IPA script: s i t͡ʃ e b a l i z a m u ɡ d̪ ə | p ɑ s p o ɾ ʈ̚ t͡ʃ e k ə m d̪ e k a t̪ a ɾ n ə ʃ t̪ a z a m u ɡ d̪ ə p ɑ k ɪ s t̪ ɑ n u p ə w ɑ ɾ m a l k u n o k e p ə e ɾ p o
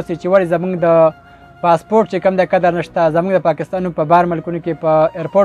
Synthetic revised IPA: s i t͡ʃ e w a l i z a m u ɡ d̪ ə | p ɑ s p o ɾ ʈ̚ t͡ʃ e k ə m d̪ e k a d̪ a ɾ n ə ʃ t̪ a z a m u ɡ d̪ ə p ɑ k ɪ s t̪ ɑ n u p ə b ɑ ɾ m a l k u n o k e p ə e ɾ p o

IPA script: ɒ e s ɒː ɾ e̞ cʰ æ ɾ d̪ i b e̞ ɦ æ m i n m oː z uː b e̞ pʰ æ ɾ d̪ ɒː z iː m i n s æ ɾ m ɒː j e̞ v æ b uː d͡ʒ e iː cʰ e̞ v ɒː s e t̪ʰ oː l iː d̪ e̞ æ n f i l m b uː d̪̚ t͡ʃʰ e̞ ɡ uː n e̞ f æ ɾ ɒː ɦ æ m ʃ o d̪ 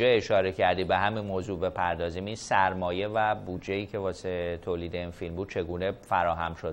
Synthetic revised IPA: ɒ e ʃ ɒː ɾ e̞ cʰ æ ɾ d̪ i b e̞ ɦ æ m i n m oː z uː b e̞ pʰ æ ɾ d̪ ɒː z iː m i n s æ ɾ m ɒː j e̞ v æ b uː d͡ʒ e iː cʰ e̞ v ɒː s e t̪ʰ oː l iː d̪ e̞ i n f i l m b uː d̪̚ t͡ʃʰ e̞ ɡ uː n e̞ f æ ɾ ɒː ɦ æ m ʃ o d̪

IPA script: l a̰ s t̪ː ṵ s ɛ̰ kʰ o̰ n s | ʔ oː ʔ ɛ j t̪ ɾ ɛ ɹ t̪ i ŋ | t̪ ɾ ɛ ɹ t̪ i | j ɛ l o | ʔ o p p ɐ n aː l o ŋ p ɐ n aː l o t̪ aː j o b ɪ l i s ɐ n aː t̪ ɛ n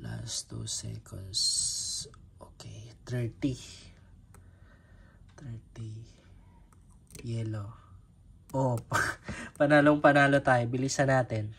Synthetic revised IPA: l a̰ s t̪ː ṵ s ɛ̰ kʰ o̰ n s | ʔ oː k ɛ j t̪ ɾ ɛ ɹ t̪ i | t̪ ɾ ɛ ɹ t̪ i | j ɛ l o | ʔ o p p ɐ n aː l o ŋ p ɐ n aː l o t̪ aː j o b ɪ l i s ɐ n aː t̪ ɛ n

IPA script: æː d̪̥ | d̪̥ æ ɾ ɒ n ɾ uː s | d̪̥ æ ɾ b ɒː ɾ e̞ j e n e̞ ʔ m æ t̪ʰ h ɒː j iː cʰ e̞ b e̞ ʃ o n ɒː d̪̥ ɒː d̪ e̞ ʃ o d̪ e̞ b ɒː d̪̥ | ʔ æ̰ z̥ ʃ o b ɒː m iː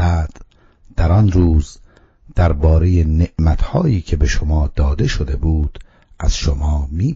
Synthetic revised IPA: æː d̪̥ | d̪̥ æ ɾ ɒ n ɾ uː z | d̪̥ æ ɾ b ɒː ɾ e̞ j e n e̞ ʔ m æ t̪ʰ h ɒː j iː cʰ e̞ b e̞ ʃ o m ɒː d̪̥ ɒː d̪ e̞ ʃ o d̪ e̞ b uː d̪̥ | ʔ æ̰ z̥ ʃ o m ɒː m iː

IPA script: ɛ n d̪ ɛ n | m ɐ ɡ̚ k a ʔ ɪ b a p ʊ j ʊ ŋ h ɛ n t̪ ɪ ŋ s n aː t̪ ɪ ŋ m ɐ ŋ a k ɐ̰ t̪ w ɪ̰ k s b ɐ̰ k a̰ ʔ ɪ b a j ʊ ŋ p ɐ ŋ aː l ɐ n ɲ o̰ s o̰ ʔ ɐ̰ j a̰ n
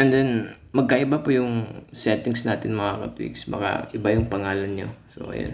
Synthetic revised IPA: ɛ n d̪ ɛ n | m ɐ ɡ̚ k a ʔ ɪ b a p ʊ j ʊ ŋ s ɛ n t̪ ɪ ŋ s n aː t̪ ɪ n m ɐ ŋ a k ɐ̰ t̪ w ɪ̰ k s b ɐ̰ k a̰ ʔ ɪ b a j ʊ ŋ p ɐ ŋ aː l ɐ n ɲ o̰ s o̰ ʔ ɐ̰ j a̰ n

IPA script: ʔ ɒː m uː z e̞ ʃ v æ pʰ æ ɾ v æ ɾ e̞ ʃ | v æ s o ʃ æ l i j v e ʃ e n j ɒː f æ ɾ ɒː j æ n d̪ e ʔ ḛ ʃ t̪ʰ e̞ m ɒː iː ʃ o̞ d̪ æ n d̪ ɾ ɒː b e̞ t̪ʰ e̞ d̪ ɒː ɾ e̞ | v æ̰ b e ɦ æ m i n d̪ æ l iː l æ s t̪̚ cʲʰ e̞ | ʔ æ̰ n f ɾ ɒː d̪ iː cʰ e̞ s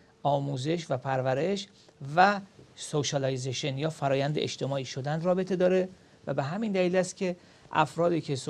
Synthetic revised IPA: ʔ ɒː m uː z e̞ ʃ v æ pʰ æ ɾ v æ ɾ e̞ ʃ | v æ s o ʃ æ l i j z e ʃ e n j ɒː f æ ɾ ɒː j æ n d̪ e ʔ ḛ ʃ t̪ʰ e̞ m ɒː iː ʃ o̞ d̪ æ n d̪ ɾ ɒː b e̞ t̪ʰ e̞ d̪ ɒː ɾ e̞ | v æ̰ b e ɦ æ m i n d̪ æ l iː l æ s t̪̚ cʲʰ e̞ | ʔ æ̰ f ɾ ɒː d̪ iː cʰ e̞ s

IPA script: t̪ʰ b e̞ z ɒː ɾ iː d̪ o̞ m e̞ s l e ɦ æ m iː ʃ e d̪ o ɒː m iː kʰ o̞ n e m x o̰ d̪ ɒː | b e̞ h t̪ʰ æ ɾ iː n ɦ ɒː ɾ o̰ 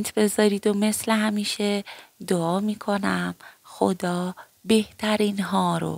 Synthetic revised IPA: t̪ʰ b e̞ z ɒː ɾ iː d̪ o̞ m e̞ s l e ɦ æ m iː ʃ e d̪ o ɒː m iː kʰ o̞ n æ m x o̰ d̪ ɒː | b e̞ h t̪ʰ æ ɾ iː n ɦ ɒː ɾ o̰

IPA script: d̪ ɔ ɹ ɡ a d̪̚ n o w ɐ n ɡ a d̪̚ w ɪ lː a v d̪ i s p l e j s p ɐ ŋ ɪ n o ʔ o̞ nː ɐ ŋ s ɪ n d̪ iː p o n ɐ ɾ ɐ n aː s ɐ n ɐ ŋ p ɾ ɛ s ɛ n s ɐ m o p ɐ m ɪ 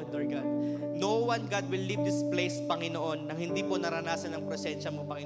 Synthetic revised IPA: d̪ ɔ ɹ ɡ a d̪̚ n o w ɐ n ɡ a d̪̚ w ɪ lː i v d̪ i s p l e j s p ɐ ŋ ɪ n o ʔ o̞ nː ɐ ŋ h ɪ n d̪ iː p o n ɐ ɾ ɐ n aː s ɐ n ɐ ŋ p ɾ ɛ s ɛ n ʃ ɐ m o p ɐ ŋ ɪ

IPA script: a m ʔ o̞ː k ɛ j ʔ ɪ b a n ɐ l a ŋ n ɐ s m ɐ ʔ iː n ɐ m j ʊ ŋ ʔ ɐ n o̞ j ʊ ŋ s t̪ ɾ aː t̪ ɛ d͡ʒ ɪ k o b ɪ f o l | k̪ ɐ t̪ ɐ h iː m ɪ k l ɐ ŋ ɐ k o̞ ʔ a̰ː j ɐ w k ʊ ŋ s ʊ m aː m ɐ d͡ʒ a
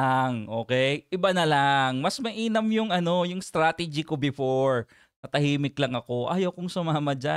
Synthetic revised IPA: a ŋ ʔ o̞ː k ɛ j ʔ ɪ b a n ɐ l a ŋ m ɐ s m ɐ ʔ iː n ɐ m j ʊ ŋ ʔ ɐ n o̞ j ʊ ŋ s t̪ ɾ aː t̪ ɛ d͡ʒ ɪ k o b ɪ f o ɹ | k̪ ɐ t̪ ɐ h iː m ɪ k l ɐ ŋ ɐ k o̞ ʔ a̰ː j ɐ w k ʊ ŋ s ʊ m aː m ɐ d͡ʒ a

